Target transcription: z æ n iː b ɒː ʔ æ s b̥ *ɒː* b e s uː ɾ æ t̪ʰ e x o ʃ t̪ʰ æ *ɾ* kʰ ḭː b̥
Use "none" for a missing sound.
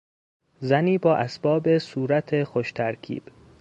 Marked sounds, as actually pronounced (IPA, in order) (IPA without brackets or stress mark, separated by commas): ɒː, ɾ